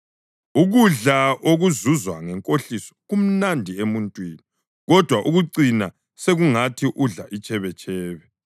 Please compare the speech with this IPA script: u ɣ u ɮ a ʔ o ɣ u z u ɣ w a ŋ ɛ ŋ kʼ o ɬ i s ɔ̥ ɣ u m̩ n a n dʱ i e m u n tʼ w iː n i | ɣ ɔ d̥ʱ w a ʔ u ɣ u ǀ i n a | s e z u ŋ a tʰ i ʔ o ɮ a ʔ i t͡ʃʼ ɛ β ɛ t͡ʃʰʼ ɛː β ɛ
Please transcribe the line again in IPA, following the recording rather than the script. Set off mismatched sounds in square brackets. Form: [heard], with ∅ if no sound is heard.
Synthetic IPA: u ɣ u ɮ a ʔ o ɣ u z u [z] w a ŋ ɛ ŋ kʼ o ɬ i s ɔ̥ ɣ u m̩ n a n dʱ i e m u n tʼ w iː n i | ɣ ɔ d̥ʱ w a ʔ u ɣ u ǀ i n a | s e [ɣ] u ŋ a tʰ i ʔ [u] ɮ a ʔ i t͡ʃʼ ɛ β ɛ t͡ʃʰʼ ɛː β ɛ